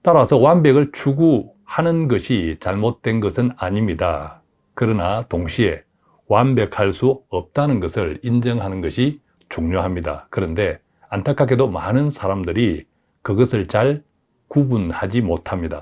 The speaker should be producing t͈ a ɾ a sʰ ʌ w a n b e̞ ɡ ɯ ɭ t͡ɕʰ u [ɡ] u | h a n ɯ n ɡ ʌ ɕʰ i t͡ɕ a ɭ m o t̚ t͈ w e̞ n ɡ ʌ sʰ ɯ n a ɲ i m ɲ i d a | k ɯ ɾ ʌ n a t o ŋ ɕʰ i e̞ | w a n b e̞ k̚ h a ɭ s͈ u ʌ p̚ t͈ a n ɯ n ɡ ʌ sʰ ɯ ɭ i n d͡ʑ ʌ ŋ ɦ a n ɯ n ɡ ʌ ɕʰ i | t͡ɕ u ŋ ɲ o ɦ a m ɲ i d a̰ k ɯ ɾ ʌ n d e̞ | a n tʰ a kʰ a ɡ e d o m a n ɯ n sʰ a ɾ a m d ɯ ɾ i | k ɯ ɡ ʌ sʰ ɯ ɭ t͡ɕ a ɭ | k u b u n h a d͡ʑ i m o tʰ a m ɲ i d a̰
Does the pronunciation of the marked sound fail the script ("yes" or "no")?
no